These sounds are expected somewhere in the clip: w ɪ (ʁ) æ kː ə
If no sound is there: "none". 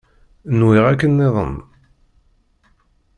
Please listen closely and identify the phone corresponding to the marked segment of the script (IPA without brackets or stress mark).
ʁ